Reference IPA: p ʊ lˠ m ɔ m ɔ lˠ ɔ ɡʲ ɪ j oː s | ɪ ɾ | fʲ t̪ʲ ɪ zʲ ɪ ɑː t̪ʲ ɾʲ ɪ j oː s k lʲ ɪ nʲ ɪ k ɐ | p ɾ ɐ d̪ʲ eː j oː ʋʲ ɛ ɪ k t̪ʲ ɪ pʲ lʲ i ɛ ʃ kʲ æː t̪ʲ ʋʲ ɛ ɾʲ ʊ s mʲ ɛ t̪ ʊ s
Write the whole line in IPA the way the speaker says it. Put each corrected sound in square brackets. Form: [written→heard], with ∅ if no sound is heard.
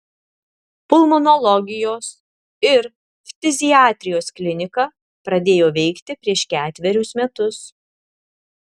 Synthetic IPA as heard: p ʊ lˠ m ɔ [m→n] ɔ lˠ ɔ ɡʲ ɪ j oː s | ɪ ɾ | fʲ t̪ʲ ɪ zʲ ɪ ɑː t̪ʲ ɾʲ ɪ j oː s k lʲ ɪ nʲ ɪ k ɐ | p ɾ ɐ d̪ʲ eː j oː ʋʲ ɛ ɪ k t̪ʲ ɪ pʲ [lʲ→ɾʲ] i ɛ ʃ kʲ æː t̪ʲ ʋʲ ɛ ɾʲ ʊ s mʲ ɛ t̪ ʊ s